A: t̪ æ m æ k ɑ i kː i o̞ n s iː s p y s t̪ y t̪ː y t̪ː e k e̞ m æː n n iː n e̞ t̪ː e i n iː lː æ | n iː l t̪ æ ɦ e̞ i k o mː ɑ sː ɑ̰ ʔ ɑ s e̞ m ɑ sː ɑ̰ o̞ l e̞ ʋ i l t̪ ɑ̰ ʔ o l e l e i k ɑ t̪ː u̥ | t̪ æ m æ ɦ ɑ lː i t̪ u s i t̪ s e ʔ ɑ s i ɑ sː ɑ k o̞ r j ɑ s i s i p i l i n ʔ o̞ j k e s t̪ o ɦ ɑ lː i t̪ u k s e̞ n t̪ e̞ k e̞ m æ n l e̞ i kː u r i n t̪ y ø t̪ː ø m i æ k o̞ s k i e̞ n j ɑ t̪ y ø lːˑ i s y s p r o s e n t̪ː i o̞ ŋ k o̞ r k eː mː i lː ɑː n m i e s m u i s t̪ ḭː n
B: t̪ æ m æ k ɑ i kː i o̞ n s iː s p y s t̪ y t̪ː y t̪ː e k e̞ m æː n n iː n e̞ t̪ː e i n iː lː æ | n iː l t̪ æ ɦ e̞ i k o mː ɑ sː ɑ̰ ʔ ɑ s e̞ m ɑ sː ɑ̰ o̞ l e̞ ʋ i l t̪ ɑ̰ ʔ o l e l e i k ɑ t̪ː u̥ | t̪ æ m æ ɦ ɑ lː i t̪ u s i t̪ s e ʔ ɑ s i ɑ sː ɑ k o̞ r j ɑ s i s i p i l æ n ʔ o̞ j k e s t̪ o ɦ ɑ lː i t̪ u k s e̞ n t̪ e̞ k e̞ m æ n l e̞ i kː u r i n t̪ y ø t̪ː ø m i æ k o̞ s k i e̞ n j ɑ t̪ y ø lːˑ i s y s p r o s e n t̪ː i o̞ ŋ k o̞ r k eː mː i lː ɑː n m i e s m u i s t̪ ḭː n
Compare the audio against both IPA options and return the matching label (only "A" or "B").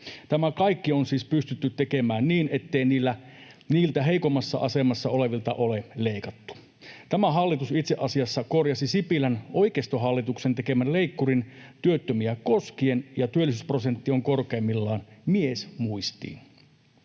B